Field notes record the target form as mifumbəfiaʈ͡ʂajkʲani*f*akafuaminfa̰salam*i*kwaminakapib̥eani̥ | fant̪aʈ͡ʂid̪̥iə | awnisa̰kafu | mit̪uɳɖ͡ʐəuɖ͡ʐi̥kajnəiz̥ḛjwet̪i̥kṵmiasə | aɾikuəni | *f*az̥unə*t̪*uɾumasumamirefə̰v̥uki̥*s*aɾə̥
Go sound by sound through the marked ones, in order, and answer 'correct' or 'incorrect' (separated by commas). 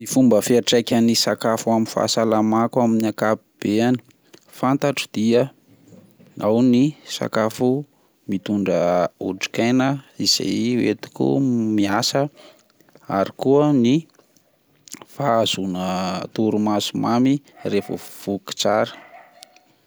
incorrect, incorrect, correct, correct, incorrect